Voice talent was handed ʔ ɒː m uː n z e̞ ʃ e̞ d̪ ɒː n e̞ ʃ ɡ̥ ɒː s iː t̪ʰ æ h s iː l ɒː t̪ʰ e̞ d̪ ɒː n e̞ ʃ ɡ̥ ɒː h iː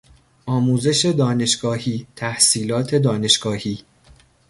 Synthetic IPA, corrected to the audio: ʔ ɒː m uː z e̞ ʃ e̞ d̪ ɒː n e̞ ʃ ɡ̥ ɒː h iː t̪ʰ æ h s iː l ɒː t̪ʰ e̞ d̪ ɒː n e̞ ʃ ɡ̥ ɒː h iː